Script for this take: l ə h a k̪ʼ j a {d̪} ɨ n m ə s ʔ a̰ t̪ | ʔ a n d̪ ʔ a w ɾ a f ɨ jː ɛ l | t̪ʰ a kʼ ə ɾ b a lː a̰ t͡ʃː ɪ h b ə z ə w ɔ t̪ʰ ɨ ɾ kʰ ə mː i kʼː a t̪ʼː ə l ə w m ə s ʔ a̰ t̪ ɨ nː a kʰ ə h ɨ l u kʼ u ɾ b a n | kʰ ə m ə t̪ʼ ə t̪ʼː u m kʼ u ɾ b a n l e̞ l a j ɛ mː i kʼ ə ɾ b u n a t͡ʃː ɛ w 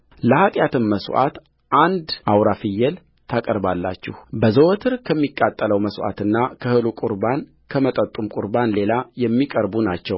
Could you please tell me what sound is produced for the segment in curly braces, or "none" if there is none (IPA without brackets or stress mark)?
t̪